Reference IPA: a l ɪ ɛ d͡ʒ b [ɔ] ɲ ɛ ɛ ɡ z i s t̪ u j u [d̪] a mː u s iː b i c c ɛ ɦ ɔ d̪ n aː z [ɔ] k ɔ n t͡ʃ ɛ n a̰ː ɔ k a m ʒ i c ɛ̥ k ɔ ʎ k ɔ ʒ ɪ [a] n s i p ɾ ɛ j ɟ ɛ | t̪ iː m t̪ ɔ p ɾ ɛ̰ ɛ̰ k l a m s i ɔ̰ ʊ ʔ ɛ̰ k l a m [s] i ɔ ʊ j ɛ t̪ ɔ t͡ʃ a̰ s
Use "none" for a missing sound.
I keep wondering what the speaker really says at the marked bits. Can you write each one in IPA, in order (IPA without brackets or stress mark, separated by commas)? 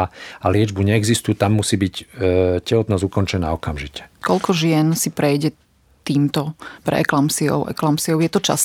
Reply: u, t̪, u, ɛ, s